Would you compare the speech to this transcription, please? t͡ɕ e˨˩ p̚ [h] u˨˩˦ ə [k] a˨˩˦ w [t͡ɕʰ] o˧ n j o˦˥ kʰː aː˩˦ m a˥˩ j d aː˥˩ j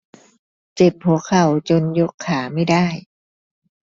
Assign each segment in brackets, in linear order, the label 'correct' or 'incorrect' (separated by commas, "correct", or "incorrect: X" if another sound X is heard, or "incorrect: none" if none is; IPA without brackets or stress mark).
correct, incorrect: kʰ, incorrect: t͡ɕ